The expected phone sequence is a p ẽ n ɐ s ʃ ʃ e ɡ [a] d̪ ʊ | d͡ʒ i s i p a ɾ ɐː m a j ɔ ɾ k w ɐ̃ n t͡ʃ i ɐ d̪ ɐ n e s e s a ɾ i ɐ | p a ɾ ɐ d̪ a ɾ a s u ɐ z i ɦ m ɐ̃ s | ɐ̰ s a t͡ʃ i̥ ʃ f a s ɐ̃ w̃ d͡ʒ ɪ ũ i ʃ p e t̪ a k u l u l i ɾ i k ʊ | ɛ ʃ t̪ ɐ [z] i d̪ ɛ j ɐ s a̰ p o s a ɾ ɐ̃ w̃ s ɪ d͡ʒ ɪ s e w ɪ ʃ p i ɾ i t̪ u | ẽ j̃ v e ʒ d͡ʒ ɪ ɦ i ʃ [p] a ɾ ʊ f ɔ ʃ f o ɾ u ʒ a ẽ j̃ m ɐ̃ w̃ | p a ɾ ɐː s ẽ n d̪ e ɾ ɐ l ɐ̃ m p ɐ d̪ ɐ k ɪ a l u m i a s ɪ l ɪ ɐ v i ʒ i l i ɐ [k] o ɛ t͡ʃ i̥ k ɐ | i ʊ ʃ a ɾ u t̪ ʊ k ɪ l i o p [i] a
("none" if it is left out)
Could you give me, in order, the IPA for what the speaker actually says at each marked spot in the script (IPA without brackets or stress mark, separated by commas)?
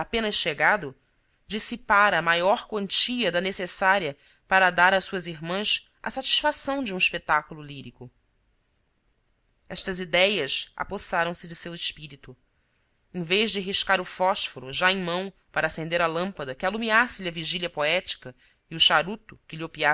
a, z, k, p, i